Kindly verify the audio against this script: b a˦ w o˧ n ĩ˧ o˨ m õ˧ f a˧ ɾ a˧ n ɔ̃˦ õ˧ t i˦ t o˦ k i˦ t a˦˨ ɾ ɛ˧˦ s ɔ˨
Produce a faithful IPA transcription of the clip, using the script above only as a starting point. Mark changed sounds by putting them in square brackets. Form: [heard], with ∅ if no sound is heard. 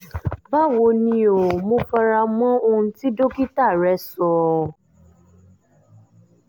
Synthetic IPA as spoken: b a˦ w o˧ n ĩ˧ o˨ m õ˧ f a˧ ɾ a˧ [m] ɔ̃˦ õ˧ t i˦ [d] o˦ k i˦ t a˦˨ ɾ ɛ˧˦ s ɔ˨